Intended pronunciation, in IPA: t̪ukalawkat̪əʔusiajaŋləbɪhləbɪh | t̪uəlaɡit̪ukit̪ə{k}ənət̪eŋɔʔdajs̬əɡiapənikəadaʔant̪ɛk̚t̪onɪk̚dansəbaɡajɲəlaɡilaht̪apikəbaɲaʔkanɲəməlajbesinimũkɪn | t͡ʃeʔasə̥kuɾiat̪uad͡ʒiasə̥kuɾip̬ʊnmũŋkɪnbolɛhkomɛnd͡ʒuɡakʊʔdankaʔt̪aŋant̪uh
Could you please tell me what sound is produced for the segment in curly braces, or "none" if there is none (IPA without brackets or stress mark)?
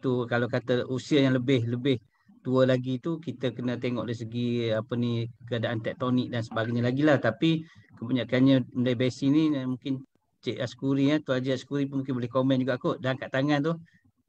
k